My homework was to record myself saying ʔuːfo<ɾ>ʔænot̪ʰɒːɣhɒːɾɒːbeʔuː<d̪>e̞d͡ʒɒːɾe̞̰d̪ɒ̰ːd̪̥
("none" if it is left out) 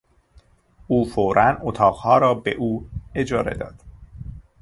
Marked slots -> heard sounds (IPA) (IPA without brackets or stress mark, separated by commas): ɾ, none